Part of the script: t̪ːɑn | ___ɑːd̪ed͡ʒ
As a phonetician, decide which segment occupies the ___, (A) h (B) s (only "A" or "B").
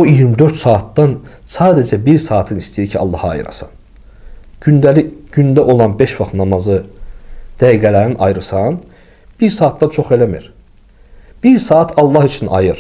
B